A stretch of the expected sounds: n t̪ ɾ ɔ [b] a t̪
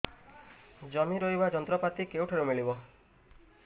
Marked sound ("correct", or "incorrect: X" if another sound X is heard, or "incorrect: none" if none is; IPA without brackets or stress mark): incorrect: p